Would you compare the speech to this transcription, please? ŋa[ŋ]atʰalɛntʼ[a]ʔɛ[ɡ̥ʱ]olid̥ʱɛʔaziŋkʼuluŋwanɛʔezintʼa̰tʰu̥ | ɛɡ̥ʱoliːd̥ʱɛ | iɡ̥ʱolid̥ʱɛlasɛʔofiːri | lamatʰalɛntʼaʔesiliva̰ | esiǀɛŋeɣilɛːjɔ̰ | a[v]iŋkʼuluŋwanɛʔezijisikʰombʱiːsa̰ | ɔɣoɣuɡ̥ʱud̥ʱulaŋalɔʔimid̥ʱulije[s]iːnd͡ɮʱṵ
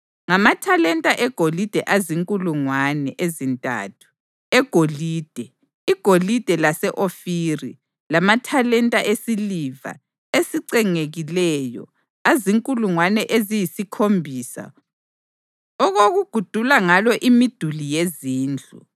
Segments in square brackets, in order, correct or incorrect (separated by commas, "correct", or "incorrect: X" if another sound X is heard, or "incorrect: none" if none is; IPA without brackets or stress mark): incorrect: m, correct, correct, incorrect: z, incorrect: z